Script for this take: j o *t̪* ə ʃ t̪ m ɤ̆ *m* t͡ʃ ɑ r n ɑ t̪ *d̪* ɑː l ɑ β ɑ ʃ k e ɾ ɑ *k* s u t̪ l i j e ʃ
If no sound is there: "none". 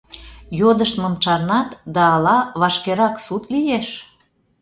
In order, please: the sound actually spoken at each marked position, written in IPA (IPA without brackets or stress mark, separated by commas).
d̪, m, d̪, k